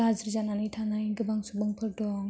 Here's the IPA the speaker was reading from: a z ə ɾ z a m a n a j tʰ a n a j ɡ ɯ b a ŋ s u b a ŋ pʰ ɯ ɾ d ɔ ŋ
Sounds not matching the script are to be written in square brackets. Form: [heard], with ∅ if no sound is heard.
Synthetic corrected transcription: a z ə ɾ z a [n] a n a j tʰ a n a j ɡ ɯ b a ŋ s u b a ŋ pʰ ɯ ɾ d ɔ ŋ

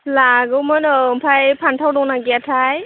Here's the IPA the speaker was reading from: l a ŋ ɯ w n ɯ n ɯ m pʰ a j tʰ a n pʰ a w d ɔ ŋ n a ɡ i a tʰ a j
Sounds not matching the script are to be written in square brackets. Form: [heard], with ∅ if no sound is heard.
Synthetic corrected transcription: l a [ɡ] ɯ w [m] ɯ n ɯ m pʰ a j [pʰ] a n [tʰ] a w d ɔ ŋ n a ɡ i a tʰ a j

